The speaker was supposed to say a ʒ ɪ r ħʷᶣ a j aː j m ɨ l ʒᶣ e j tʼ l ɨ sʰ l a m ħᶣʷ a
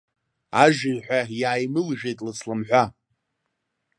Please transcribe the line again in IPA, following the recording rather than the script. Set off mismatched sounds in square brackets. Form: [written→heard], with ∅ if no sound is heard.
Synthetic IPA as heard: a ʒ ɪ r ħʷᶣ a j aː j m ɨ l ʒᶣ e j tʼ l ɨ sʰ l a m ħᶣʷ a

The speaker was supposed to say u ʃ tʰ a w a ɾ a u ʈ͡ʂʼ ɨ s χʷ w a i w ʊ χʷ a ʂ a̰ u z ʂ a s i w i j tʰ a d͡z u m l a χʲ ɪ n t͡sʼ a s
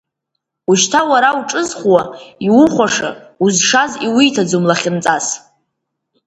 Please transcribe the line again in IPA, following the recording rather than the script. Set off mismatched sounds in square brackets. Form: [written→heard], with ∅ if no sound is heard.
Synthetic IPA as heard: u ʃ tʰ a w a ɾ a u ʈ͡ʂʼ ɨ [s→z] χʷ w a i w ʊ χʷ a ʂ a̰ u z ʂ a [s→z] i w i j tʰ a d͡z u m l a χʲ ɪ n t͡sʼ a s

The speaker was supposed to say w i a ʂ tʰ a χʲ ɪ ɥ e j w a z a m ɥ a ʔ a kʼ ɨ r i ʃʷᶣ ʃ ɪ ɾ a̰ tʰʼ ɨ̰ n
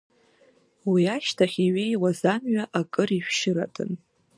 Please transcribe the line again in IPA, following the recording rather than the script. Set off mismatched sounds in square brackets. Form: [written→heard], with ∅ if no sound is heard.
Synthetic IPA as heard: w i a [ʂ→ʃ] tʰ a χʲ [ɪ→i] ɥ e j w a z a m ɥ a ʔ a kʼ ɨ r i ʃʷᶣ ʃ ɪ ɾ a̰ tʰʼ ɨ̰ n

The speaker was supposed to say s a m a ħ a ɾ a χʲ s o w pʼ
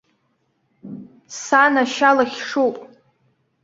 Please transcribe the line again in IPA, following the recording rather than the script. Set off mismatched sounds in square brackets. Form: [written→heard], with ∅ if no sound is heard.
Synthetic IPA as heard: s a [m→n] a [ħ→ʃ] a [ɾ→l] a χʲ [s→ʂ] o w pʼ

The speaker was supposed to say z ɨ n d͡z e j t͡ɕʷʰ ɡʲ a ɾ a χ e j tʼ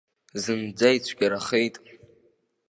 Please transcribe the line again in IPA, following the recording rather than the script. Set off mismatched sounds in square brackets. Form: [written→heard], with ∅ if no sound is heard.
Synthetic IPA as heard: z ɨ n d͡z [e→a] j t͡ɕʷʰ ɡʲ a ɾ a χ e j tʼ

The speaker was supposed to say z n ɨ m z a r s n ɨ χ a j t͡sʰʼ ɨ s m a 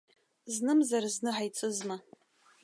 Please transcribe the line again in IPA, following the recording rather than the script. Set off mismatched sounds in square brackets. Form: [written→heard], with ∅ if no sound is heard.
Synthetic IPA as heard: z n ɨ m z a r [s→z] n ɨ [χ→ħ] a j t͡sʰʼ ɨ [s→z] m a

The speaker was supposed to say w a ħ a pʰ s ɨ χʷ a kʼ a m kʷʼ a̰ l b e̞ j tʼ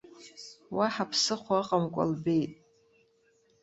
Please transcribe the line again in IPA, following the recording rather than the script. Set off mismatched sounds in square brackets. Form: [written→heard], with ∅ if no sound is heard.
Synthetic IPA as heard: w a ħ a pʰ s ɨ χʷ a [kʼ→qʼ] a m kʷʼ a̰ l b e̞ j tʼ

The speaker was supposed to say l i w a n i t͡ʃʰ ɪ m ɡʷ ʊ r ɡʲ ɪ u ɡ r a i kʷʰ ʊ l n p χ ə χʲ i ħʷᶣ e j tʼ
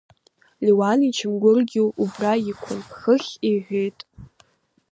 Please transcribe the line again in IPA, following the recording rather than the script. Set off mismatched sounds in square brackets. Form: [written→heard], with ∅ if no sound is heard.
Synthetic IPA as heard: l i w a n i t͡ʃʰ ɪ m ɡʷ ʊ r ɡʲ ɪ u [ɡ→b] r a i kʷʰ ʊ [l→∅] n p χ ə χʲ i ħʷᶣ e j tʼ

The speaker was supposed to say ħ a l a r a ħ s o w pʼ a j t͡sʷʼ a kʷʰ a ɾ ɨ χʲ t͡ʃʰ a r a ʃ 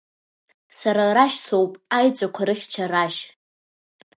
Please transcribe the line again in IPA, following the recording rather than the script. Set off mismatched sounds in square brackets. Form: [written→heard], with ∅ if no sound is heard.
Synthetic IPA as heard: [ħ→s] a [l→ɾ] a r a [ħ→ʃ] s o w pʼ a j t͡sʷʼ a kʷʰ a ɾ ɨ χʲ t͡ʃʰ a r a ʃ

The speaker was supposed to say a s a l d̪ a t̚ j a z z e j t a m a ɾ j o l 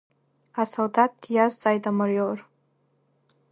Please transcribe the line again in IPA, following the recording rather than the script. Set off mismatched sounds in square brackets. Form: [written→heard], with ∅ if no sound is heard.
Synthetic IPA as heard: a s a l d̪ a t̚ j a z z [e→a] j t a m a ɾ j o [l→r]

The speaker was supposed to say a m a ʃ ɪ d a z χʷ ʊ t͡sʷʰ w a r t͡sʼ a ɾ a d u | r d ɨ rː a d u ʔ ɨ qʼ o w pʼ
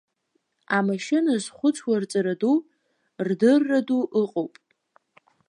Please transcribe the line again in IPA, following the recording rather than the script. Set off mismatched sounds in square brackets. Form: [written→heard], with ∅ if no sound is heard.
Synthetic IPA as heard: a m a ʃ ɪ [d→n] a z χʷ ʊ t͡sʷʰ w a r t͡sʼ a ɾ a d u | r d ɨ rː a d u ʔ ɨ qʼ o w pʼ

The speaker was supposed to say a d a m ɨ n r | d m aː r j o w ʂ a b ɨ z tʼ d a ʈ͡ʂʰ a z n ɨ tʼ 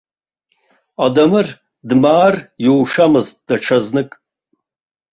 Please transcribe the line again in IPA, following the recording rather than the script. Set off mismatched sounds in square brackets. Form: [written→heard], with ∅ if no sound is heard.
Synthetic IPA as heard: a d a m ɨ [n→∅] r | d m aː r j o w ʂ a [b→m] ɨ z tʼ d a ʈ͡ʂʰ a z n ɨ [tʼ→kʼ]

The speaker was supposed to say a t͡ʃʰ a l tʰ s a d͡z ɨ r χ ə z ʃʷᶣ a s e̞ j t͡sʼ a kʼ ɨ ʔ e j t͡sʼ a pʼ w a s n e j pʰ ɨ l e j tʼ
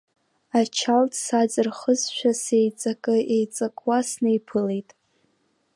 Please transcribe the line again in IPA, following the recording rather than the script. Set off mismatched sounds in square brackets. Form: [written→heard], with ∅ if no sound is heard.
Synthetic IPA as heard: a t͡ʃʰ a l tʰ s a d͡z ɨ r χ ə z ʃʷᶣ a s e̞ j t͡sʼ a kʼ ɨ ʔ e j t͡sʼ a [pʼ→kʼ] w a s n e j pʰ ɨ l e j tʼ

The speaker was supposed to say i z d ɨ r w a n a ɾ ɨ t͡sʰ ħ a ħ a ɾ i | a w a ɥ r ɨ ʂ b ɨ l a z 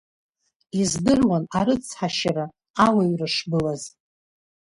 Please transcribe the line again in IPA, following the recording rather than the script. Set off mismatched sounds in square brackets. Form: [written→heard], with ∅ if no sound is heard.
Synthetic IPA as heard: i z d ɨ r w a n a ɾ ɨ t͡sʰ ħ a [ħ→ʃ] a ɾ [i→a] | a w a ɥ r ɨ ʂ b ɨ l a z

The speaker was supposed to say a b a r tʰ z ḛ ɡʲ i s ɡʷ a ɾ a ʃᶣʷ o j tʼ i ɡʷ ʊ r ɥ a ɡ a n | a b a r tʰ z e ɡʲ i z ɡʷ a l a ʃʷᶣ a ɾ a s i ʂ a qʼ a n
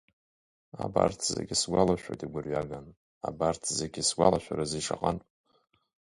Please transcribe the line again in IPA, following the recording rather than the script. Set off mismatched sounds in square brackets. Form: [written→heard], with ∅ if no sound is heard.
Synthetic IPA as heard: a b a r tʰ z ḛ ɡʲ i s ɡʷ a [ɾ→l] a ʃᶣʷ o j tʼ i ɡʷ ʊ r ɥ a ɡ a n | a b a r tʰ z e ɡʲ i [z→s] ɡʷ a l a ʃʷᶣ a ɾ a [s→z] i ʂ a qʼ a n

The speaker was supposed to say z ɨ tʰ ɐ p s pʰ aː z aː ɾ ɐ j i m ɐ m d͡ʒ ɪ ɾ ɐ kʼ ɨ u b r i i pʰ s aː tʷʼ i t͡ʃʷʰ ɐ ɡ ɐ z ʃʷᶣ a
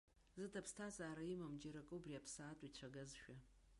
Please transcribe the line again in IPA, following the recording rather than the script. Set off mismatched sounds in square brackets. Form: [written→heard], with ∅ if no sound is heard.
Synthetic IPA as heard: z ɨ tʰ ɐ p s [pʰ→tʰ] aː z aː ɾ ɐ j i m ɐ m d͡ʒ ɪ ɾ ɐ kʼ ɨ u b r i [i→a] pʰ s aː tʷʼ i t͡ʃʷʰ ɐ ɡ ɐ z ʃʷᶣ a

